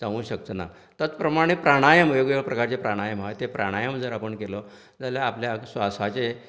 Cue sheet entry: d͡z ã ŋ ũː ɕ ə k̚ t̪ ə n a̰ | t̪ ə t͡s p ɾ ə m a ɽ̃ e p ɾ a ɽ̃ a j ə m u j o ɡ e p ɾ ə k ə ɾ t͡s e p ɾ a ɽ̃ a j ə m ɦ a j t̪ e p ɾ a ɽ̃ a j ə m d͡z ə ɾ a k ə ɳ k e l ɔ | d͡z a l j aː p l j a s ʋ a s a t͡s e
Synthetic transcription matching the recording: d͡z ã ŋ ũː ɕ ə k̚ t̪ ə n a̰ | t̪ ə t͡s p ɾ ə m a ɽ̃ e p ɾ a ɽ̃ a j ə m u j o ɡ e p ɾ ə k a ɾ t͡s e p ɾ a ɽ̃ a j ə m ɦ a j t̪ e p ɾ a ɽ̃ a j ə m d͡z ə ɾ a p ə ɳ k e l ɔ | d͡z a l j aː p l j a s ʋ a s a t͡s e